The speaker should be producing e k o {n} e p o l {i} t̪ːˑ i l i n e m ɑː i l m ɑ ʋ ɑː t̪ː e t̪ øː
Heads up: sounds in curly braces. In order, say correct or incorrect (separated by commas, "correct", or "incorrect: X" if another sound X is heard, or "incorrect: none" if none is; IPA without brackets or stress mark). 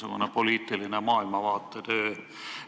correct, incorrect: iː